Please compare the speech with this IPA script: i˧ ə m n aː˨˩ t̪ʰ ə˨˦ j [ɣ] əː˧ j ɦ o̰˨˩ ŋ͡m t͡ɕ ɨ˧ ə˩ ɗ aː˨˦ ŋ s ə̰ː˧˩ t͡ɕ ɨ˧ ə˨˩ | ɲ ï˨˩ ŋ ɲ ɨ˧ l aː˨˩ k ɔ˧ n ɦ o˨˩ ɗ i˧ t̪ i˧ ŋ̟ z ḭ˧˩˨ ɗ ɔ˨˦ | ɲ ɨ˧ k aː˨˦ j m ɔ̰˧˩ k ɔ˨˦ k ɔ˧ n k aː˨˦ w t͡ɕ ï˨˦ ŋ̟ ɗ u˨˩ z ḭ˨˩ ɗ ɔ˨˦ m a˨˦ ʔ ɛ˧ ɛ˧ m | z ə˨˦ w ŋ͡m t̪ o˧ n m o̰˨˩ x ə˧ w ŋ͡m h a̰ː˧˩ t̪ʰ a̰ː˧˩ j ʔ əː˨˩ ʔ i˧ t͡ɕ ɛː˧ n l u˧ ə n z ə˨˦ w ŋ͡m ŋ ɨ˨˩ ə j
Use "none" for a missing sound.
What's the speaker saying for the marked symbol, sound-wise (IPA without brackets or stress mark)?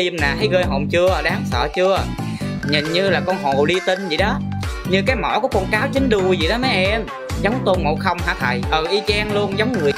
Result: ɣ